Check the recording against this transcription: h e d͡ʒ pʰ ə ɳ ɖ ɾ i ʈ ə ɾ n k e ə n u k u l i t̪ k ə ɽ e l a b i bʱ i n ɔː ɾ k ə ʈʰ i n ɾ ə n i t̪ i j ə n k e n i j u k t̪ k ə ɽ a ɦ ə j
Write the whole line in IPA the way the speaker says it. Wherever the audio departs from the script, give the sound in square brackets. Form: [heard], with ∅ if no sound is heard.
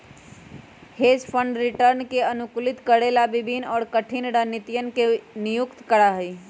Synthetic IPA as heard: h e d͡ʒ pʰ ə ɳ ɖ ɾ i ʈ ə ɾ n k e ə n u k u l i t̪ k ə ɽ e l a b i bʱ i n ɔː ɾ k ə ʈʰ i n ɾ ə n i t̪ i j ə n k e n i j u k t̪ k ə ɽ a ɦ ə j